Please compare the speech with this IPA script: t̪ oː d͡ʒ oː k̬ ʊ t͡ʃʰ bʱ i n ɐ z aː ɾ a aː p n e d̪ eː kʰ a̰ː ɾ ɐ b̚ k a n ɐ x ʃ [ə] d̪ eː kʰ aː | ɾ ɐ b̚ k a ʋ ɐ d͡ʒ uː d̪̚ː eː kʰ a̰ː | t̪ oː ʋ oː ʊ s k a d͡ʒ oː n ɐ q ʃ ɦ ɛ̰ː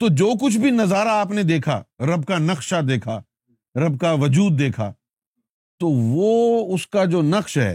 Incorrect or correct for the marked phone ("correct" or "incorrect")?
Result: incorrect